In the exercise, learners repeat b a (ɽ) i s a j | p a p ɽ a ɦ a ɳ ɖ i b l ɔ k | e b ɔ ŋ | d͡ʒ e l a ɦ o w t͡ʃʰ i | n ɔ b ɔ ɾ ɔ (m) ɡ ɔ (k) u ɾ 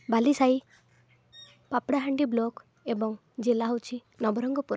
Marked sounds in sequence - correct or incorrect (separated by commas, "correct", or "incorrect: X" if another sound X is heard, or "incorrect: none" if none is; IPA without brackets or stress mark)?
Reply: incorrect: l, incorrect: ŋ, incorrect: p